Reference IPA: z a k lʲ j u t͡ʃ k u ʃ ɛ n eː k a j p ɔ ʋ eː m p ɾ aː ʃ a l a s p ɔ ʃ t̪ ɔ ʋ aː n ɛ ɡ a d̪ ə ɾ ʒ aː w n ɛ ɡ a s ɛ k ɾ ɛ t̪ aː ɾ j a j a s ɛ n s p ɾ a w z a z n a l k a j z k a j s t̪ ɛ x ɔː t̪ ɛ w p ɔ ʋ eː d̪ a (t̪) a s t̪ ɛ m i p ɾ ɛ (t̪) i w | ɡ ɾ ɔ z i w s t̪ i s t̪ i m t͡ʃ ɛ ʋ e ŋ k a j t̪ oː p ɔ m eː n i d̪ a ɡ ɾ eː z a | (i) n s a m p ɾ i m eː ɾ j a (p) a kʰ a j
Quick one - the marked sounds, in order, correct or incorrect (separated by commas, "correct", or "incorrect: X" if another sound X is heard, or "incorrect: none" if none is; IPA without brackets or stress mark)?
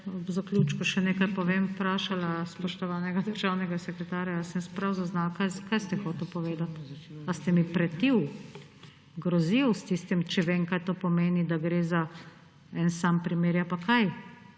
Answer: correct, correct, incorrect: ɛ, correct